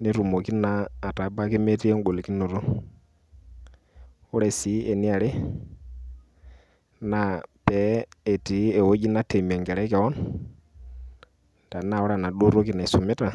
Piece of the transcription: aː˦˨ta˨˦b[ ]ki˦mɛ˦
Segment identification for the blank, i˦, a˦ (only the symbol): a˦